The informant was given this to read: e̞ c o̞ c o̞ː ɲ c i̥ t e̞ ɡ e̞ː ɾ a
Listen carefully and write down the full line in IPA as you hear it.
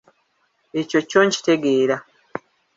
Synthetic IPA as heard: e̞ c o̞ c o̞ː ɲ c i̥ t e̞ ɡ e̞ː ɾ a